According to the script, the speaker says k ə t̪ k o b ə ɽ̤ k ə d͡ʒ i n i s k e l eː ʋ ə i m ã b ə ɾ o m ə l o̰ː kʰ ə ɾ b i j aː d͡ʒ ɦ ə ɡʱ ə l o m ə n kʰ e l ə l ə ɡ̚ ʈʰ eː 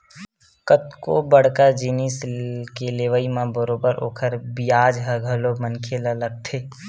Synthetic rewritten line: k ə t̪ k o b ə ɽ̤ k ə d͡ʒ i n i s k e l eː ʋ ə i m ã b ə ɾ o b ə ɾ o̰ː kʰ ə ɾ b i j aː d͡ʒ ɦ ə ɡʱ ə l o m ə n kʰ e l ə l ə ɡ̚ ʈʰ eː